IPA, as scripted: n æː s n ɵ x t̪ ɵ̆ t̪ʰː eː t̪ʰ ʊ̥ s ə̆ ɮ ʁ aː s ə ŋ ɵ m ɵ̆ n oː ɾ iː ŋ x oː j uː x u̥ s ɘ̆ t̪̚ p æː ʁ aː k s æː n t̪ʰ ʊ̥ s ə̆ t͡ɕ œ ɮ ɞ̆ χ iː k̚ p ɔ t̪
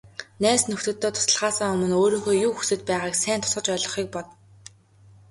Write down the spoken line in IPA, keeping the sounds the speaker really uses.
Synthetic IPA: n æː s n ɵ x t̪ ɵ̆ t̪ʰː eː t̪ʰ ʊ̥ s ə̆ ɮ ʁ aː s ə ŋ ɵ m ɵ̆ n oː ɾ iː ŋ x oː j uː x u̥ s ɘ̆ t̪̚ p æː ʁ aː k s æː n t̪ʰ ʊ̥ s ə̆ t͡ɕ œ ɮ ɞ̆ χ iː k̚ p ɔ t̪